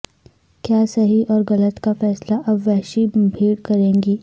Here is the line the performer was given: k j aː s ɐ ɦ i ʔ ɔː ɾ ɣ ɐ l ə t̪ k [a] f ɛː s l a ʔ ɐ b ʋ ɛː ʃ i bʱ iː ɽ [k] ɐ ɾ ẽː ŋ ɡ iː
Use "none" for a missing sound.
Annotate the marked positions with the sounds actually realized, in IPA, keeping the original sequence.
a, k

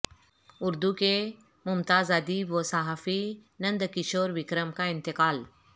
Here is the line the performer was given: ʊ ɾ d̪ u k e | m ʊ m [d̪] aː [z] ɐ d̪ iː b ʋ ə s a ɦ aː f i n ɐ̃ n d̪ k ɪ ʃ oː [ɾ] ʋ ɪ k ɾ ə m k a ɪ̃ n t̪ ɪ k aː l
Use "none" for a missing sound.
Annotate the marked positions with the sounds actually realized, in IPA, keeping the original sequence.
t̪, z, ɾ

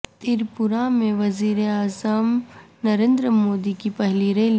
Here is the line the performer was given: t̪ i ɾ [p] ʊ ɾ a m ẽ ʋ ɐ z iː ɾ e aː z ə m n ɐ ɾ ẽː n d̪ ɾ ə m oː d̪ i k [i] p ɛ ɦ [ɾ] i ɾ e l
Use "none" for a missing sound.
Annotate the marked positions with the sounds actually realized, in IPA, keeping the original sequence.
p, i, l

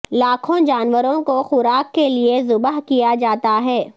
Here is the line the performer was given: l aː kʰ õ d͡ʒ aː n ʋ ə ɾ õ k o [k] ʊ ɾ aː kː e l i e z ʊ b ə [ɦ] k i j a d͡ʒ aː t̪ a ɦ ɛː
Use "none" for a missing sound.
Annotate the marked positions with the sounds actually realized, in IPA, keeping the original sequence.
x, ɦ

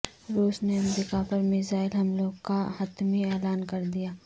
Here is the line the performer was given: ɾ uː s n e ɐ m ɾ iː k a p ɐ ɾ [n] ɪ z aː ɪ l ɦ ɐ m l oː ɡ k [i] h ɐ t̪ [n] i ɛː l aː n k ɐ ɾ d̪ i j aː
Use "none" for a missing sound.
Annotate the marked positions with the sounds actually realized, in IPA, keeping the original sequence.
m, a, m

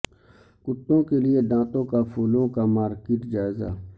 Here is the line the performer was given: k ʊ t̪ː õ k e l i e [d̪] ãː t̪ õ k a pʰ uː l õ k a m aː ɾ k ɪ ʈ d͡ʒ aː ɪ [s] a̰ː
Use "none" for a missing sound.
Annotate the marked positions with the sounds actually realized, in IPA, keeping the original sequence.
d̪, z

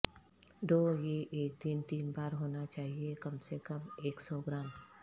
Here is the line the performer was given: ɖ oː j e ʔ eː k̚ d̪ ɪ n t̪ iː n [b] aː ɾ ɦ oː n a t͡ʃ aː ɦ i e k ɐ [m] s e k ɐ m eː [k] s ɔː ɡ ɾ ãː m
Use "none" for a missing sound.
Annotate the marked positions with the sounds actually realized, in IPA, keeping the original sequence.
b, m, k

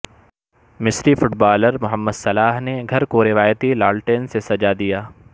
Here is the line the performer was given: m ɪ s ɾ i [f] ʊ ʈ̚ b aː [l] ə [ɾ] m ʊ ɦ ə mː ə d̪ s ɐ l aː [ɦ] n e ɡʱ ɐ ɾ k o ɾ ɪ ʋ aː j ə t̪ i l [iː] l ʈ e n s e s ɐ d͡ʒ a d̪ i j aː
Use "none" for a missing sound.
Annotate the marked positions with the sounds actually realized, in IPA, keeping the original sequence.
f, l, ɾ, ɦ, aː

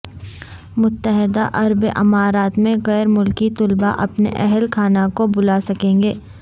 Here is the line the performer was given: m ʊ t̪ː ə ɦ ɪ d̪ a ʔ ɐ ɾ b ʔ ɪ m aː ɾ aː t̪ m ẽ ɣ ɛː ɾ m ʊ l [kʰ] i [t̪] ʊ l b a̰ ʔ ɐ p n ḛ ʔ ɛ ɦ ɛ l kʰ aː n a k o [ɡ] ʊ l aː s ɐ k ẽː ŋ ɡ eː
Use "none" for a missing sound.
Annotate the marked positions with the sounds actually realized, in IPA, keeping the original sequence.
k, t̪, b

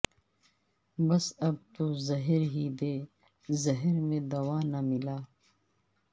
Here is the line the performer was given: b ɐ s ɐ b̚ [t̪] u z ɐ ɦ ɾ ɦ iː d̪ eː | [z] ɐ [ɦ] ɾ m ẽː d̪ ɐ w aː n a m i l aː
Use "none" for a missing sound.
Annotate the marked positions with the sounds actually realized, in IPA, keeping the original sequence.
t̪, z, ɦ

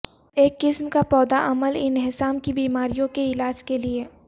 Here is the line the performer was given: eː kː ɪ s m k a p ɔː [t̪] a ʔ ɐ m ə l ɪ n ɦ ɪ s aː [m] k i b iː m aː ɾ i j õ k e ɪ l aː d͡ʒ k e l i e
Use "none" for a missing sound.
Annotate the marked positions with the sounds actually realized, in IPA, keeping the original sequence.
d̪, m

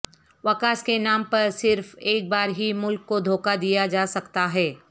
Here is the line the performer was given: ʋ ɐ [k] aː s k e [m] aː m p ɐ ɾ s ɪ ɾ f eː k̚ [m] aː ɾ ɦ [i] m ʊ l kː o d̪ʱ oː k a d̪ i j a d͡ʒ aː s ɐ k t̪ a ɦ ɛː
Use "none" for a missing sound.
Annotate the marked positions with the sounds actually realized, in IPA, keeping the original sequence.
k, n, b, i

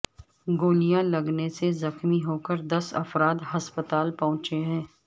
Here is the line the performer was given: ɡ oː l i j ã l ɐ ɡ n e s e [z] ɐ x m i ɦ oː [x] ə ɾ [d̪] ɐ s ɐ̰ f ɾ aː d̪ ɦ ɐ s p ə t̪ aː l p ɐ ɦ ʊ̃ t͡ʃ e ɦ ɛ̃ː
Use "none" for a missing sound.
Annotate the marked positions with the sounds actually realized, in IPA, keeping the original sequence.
z, k, d̪

